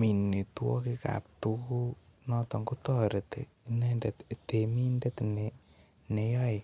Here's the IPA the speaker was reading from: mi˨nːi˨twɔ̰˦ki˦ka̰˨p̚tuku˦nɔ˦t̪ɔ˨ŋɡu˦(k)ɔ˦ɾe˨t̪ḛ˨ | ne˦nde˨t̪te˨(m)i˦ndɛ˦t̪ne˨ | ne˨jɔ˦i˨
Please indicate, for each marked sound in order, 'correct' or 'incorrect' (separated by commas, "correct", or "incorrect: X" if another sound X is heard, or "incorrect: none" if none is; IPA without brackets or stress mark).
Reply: incorrect: t, correct